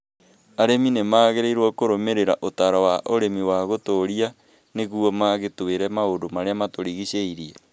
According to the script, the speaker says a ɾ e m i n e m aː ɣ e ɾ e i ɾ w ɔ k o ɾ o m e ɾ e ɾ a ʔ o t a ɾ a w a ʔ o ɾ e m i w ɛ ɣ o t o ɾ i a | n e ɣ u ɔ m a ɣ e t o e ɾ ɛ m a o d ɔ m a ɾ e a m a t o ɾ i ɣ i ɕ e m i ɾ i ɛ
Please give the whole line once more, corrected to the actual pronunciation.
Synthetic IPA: a ɾ e m i n e m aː ɣ e ɾ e i ɾ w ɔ k o ɾ o m e ɾ e ɾ a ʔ o t a ɾ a w a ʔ o ɾ e m i w a ɣ o t o ɾ i a | n e ɣ u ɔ m a ɣ e t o e ɾ ɛ m a o d o m a ɾ e a m a t o ɾ i ɣ i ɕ e i ɾ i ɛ